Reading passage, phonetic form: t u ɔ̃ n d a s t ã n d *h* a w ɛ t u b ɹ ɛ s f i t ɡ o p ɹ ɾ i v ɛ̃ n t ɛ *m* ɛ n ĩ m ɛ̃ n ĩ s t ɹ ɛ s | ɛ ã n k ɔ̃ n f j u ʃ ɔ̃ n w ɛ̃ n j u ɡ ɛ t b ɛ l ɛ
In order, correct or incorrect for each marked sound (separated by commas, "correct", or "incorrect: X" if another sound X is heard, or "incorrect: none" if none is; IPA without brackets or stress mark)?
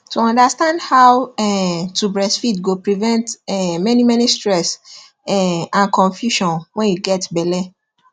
correct, correct